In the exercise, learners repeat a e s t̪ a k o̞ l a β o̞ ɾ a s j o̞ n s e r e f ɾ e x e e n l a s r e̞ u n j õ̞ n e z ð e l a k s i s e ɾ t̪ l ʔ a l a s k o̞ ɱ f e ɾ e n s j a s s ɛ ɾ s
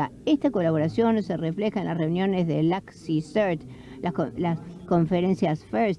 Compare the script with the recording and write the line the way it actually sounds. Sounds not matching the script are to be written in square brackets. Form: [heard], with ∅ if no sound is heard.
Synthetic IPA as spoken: a e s t̪ a k o̞ l a β o̞ ɾ a s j o̞ n s e r e f [l] e x [a] e n l a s r e̞ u n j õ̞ n e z ð e l a k s i s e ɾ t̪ l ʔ a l a s k o̞ ɱ f e ɾ e n s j a s [f] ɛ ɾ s